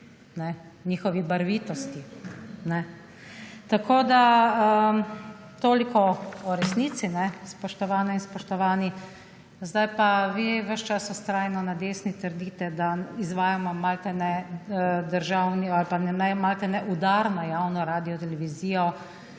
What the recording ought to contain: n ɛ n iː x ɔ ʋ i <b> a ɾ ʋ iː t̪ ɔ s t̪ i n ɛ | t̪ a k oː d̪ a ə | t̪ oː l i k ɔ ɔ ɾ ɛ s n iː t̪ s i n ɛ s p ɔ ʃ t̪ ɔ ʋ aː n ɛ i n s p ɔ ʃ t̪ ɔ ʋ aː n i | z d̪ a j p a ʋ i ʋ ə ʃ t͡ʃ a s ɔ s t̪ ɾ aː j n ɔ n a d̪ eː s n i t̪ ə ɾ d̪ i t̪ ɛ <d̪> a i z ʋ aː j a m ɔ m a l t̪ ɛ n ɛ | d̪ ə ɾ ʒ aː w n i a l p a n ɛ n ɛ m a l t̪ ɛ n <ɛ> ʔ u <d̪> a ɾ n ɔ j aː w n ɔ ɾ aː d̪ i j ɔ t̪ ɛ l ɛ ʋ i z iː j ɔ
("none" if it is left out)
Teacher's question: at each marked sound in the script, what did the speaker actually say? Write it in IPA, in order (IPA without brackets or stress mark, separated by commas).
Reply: b, d̪, ɛ, d̪